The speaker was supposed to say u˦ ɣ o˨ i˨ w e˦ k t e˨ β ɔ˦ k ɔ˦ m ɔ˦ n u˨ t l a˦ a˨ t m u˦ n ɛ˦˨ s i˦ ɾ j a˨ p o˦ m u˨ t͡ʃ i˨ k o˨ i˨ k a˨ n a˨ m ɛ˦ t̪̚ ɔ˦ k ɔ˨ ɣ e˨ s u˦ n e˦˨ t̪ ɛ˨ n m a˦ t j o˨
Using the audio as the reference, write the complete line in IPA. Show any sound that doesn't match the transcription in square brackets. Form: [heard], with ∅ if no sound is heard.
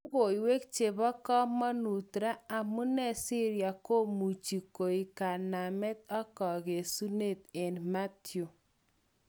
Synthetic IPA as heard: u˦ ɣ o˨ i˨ w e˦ k [t͡ʃ] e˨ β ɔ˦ k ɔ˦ m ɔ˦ n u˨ t [ɾ] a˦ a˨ [∅] m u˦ n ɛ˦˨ s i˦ ɾ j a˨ [k] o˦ m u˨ t͡ʃ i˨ k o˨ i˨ k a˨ n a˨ m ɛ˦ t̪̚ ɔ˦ k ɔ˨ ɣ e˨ s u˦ n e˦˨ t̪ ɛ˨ n m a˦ t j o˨